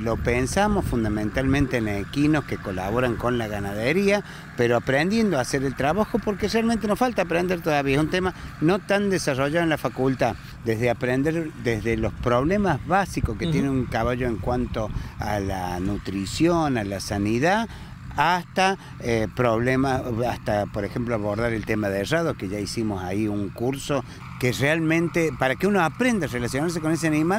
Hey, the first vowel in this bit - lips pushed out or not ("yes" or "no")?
yes